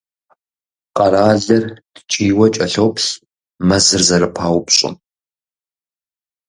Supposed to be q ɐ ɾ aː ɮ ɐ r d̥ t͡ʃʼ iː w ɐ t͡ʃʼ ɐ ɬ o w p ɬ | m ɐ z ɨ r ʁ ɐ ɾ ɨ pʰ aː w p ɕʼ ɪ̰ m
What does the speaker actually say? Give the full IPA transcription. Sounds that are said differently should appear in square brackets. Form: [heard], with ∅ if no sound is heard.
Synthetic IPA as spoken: q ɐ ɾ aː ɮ ɐ r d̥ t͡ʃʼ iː w ɐ t͡ʃʼ ɐ ɬ o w p ɬ | m ɐ z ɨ r [z] ɐ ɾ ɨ pʰ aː w p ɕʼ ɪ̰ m

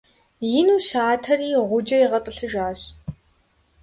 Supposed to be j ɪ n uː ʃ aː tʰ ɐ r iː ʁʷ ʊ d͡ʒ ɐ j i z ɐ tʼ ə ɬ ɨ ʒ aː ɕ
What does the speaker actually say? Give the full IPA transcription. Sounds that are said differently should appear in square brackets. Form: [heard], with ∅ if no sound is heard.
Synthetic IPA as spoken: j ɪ n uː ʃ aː tʰ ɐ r iː ʁʷ ʊ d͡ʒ ɐ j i [ʁ] ɐ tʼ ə ɬ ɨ ʒ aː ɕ

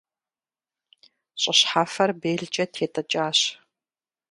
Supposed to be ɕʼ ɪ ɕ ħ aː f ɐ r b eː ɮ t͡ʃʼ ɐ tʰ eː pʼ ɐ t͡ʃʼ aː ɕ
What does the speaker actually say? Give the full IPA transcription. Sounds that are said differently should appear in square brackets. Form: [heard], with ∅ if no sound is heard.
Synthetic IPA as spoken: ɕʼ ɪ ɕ ħ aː f ɐ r b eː ɮ t͡ʃʼ ɐ tʰ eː [tʼ] ɐ t͡ʃʼ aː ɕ

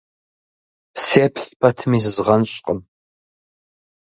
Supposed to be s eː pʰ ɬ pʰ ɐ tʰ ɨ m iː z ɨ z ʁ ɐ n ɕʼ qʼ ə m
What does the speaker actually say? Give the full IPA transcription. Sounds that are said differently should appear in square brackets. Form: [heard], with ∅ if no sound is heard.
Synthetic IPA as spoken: s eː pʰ ɬ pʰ ɐ tʰ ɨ m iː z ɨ z ʁ ɐ n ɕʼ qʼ ə m

